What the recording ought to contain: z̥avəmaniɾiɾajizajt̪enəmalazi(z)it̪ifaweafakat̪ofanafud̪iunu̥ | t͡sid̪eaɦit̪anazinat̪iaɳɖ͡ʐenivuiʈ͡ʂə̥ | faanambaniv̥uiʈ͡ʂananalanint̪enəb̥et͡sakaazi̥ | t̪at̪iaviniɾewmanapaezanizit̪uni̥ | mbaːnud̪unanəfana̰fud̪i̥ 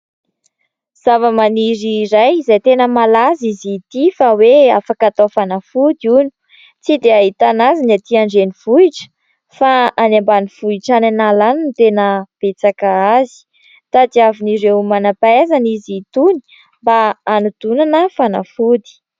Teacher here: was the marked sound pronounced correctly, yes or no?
yes